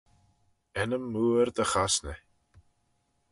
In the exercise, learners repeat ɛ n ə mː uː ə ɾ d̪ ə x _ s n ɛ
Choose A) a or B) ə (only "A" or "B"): A